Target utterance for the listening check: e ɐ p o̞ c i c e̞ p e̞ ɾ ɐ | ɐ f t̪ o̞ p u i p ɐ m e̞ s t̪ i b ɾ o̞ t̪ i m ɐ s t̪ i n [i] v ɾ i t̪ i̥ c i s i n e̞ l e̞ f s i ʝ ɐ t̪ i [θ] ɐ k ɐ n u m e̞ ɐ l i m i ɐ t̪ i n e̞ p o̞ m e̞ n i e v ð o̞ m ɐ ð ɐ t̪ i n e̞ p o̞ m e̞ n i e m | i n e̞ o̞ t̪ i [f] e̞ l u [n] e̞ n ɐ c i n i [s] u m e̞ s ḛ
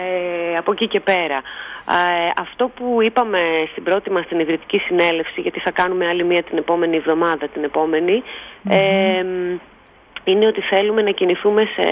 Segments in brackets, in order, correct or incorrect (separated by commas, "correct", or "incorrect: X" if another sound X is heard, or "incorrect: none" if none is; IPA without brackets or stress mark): correct, correct, incorrect: θ, incorrect: m, incorrect: θ